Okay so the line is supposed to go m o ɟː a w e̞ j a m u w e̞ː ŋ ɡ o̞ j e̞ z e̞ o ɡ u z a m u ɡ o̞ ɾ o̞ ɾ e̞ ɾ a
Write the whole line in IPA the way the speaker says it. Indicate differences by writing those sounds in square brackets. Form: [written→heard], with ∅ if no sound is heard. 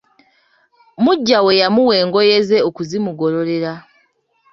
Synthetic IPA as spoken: m [o→u] ɟː a w e̞ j a m u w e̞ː ŋ ɡ o̞ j e̞ z e̞ o [ɡ→k] u z [a→i] m u ɡ o̞ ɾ o̞ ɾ e̞ ɾ a